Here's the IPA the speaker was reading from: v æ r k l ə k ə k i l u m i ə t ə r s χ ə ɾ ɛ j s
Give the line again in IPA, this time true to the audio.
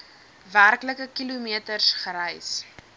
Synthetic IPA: v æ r k l ə k ə k i l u m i ə t ə r s χ ə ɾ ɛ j s